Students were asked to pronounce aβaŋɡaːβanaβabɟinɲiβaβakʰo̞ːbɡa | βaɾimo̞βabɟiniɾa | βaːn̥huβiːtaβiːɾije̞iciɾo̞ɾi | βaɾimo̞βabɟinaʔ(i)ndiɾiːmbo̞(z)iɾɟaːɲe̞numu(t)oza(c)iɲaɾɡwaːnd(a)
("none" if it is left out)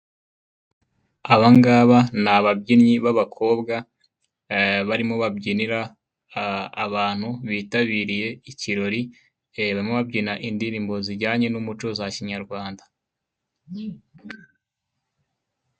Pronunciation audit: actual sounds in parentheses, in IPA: i, z, t͡ʃ, c, a

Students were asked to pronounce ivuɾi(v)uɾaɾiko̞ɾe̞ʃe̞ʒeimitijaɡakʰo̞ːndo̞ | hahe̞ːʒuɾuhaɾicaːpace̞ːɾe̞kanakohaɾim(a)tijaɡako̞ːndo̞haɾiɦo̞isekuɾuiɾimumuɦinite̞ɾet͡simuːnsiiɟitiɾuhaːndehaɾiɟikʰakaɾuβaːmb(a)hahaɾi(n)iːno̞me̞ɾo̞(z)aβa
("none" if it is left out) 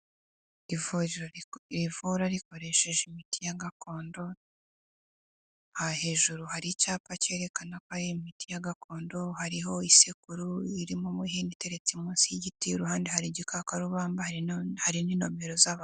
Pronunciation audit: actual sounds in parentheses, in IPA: v, i, a, n, z

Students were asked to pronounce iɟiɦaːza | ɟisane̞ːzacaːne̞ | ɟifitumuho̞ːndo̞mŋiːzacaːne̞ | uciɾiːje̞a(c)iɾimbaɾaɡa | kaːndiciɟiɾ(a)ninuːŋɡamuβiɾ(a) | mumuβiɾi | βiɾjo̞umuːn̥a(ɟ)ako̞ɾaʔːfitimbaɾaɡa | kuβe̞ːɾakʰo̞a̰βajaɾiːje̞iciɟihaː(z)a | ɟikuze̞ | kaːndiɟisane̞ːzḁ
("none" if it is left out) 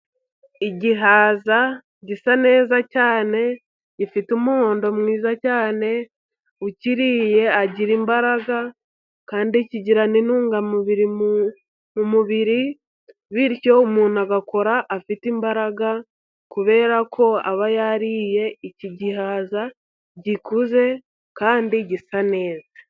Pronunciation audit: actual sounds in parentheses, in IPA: ɟ, a, i, ɡ, z

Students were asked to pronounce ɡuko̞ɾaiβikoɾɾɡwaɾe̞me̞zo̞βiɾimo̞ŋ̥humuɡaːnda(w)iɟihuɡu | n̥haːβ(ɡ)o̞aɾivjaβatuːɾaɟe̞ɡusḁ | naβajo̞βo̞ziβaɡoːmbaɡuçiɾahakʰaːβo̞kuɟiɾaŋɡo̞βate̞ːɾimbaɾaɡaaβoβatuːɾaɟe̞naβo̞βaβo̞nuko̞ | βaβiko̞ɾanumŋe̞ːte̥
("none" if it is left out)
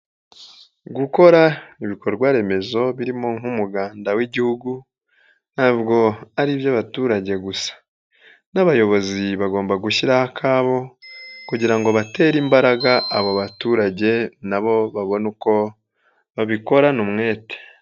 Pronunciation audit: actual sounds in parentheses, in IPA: w, ɡ

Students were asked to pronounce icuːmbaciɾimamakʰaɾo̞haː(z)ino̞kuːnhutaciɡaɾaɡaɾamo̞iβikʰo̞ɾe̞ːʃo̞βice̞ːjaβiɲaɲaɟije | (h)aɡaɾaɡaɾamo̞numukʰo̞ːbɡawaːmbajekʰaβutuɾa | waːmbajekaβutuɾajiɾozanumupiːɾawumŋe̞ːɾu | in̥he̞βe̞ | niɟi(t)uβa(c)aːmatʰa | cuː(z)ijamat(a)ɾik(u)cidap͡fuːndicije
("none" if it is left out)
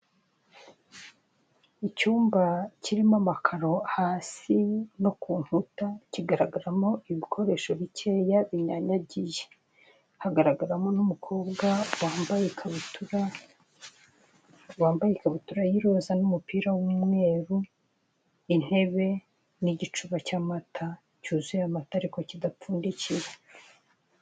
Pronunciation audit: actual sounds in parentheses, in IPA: s, h, t͡ʃ, c, z, a, o

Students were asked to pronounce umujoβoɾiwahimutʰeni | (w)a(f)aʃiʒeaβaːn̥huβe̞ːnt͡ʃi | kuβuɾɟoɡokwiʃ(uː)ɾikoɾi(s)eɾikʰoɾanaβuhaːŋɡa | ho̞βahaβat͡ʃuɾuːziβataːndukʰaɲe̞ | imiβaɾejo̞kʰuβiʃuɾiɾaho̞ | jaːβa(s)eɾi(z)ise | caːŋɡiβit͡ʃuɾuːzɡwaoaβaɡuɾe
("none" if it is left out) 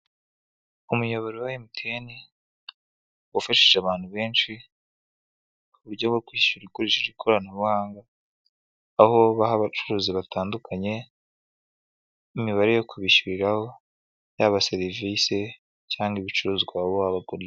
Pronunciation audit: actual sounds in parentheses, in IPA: w, f, u, ʃ, s, v

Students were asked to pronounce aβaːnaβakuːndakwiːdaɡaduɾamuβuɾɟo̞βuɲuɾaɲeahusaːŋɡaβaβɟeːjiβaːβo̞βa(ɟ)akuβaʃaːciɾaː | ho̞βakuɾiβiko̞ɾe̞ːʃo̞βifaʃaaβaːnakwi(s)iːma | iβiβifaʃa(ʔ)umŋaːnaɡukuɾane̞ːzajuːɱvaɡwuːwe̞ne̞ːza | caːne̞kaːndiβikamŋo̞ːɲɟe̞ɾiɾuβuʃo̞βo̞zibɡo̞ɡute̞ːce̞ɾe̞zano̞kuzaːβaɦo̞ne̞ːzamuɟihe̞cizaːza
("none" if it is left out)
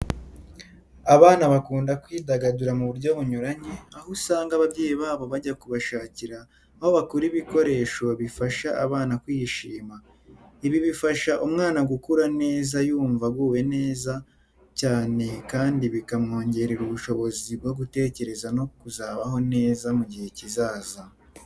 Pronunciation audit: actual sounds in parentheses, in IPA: ɟ, ʃ, ʔ

